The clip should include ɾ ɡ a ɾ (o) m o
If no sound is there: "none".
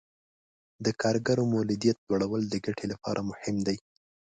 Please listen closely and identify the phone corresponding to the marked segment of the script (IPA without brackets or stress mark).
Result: o